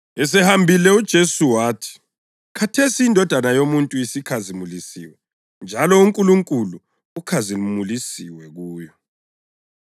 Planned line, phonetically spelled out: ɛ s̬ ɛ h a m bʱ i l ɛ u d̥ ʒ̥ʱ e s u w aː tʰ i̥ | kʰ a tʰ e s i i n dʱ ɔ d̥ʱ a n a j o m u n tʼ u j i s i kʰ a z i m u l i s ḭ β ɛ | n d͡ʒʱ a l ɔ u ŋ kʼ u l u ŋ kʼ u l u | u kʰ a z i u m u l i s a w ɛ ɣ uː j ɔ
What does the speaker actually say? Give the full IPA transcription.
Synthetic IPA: ɛ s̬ ɛ h a m bʱ i l ɛ u d̥ ʒ̥ʱ e s u w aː tʰ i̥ | kʰ a tʰ e s i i n dʱ ɔ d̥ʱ a n a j o m u n tʼ u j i s i kʰ a z i m u l i s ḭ w ɛ | n d͡ʒʱ a l ɔ u ŋ kʼ u l u ŋ kʼ u l u | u kʰ a z i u m u l i s i w ɛ ɣ uː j ɔ